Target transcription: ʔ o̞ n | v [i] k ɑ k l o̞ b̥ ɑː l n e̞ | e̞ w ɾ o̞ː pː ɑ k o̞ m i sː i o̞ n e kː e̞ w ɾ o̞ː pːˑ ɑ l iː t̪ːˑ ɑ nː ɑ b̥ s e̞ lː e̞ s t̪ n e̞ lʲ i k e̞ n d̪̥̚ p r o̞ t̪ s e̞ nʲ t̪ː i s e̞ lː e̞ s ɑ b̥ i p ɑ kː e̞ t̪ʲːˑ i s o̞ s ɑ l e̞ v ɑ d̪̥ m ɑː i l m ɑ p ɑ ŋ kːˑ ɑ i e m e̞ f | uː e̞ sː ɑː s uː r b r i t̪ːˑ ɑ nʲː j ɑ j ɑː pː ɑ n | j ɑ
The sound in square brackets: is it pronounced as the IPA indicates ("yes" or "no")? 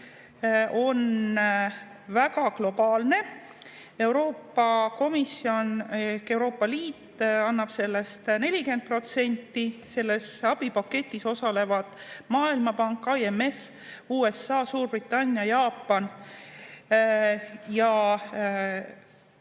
no